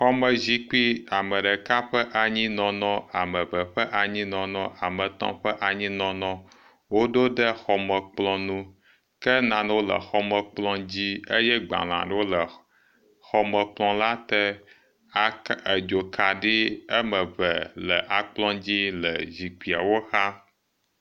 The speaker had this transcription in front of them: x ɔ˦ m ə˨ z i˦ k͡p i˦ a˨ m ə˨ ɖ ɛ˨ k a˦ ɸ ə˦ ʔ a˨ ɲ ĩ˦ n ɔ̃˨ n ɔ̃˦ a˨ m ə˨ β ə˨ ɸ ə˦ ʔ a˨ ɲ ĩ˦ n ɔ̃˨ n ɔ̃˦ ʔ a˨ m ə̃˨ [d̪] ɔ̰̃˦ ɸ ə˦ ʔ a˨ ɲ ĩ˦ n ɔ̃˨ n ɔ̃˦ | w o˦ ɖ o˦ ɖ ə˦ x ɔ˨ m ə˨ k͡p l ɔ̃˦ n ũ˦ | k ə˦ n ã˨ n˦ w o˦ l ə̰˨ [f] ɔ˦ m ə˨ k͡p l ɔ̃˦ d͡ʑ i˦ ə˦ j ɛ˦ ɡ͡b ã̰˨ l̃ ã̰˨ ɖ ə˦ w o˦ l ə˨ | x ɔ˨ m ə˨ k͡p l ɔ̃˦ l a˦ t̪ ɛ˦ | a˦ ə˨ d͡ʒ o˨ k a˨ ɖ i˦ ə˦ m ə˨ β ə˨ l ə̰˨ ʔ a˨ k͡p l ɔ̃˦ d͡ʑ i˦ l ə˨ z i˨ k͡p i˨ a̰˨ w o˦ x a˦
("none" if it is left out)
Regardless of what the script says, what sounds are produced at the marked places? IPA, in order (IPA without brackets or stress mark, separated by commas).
t̪, x